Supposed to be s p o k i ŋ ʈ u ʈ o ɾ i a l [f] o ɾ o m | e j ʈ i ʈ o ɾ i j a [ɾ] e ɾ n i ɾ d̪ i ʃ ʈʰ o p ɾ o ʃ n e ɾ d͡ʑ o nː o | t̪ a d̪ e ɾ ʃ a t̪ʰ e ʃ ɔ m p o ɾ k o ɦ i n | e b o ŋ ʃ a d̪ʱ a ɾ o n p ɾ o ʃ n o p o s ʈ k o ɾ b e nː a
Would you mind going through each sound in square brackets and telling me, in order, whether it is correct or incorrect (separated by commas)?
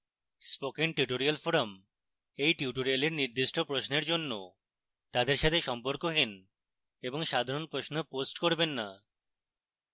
correct, incorrect